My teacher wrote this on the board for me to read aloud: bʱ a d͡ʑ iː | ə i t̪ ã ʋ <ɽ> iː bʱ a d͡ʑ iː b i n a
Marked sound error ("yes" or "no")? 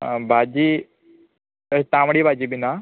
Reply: no